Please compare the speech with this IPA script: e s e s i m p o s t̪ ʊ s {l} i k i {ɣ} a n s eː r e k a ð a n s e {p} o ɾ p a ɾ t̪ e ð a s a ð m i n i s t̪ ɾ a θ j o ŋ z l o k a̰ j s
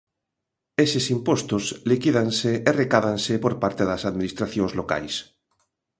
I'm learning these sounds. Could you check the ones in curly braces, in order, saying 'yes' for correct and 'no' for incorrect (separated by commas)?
yes, no, yes